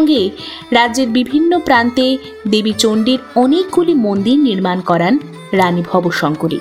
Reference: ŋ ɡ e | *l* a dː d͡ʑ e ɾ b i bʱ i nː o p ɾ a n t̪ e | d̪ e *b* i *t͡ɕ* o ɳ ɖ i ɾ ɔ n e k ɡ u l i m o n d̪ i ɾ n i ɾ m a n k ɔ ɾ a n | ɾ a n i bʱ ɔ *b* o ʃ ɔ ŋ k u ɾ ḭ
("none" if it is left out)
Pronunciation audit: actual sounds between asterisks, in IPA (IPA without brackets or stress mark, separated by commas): ɾ, b, t͡ɕ, b